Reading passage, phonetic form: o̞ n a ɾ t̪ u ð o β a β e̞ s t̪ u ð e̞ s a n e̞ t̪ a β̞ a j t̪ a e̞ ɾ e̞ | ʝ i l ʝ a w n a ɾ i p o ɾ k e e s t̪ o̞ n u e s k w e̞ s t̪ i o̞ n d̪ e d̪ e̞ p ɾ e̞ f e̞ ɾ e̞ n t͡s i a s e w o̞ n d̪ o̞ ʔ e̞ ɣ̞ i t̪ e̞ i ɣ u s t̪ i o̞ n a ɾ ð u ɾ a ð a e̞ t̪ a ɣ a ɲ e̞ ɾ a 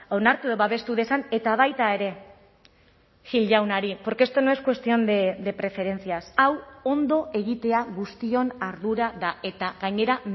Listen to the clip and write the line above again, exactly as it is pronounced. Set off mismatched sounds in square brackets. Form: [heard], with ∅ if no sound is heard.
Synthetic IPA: o̞ n a ɾ t̪ u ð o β a β e̞ s t̪ u ð e̞ s a n e̞ t̪ a β̞ a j t̪ a e̞ ɾ e̞ | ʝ i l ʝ a w n a ɾ i p o ɾ k e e s t̪ o̞ n [o] e s k w e̞ s t̪ i o̞ n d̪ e d̪ e̞ p ɾ e̞ f e̞ ɾ e̞ n t͡s i a s [a] w o̞ n d̪ o̞ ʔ e̞ ɣ̞ i t̪ e̞ [a] ɣ u s t̪ i o̞ n a ɾ ð u ɾ a ð a e̞ t̪ a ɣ a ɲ e̞ ɾ a